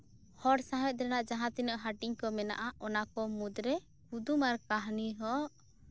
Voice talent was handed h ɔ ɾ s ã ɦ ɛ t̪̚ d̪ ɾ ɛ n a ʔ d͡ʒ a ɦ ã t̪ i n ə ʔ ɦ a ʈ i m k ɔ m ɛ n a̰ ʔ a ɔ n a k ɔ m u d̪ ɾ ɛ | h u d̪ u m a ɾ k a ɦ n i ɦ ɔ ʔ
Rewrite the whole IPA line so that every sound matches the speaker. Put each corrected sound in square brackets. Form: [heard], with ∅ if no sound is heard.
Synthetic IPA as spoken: h ɔ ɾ s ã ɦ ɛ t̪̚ d̪ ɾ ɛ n a ʔ d͡ʒ a ɦ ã t̪ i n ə ʔ ɦ a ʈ i [ɲ] k ɔ m ɛ n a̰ ʔ a ɔ n a k ɔ m u d̪ ɾ ɛ | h u d̪ u m a ɾ k a ɦ n i ɦ ɔ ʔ